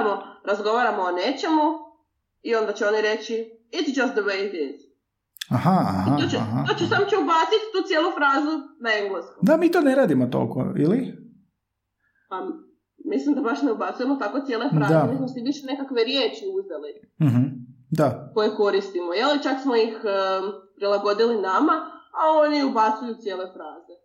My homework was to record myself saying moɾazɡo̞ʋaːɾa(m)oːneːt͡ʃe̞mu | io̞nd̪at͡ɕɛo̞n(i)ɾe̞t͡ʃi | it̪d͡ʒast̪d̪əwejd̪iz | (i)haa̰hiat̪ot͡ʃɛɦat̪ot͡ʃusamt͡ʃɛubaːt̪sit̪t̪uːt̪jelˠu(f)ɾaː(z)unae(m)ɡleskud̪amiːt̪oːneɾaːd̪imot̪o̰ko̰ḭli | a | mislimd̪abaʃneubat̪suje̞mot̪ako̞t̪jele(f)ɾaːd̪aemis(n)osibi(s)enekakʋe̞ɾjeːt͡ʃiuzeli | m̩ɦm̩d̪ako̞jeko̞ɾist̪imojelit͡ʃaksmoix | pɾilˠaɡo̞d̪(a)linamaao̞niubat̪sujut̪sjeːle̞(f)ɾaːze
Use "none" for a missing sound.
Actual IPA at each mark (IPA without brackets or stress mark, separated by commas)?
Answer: m, i, a, f, z, ŋ, f, m, ʃ, i, f